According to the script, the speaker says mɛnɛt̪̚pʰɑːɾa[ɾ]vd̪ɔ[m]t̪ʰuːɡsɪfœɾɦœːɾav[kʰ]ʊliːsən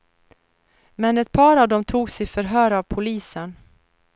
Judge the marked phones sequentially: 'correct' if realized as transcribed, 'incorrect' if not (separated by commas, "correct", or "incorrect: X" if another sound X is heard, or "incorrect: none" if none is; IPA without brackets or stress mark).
incorrect: none, correct, incorrect: pʰ